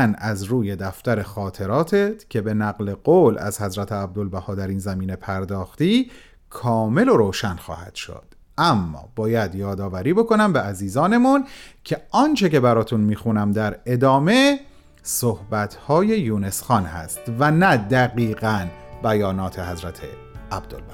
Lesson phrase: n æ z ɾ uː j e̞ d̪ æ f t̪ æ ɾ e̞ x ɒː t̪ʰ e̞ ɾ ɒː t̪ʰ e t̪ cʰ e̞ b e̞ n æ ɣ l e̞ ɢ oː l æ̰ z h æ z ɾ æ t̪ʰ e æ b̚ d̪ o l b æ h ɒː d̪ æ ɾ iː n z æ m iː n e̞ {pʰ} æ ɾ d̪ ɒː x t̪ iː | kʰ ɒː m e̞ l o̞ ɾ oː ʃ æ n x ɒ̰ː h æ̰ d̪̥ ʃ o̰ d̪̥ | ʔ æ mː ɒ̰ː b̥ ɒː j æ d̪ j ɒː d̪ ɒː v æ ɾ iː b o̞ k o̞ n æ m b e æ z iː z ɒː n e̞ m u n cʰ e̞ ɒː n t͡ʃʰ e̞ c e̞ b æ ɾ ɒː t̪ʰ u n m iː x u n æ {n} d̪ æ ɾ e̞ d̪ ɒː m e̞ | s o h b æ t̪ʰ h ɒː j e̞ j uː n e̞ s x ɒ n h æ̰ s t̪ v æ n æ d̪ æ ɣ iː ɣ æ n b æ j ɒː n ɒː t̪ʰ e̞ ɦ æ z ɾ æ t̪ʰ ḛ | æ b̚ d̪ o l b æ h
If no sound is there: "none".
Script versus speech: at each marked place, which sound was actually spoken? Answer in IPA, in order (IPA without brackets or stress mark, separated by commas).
pʰ, m